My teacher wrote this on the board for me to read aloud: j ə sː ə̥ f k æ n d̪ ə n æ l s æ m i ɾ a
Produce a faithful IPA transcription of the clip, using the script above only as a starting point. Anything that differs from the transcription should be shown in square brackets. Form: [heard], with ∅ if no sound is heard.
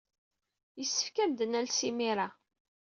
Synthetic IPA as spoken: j ə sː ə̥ f k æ [m] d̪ ə n æ l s [i] m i ɾ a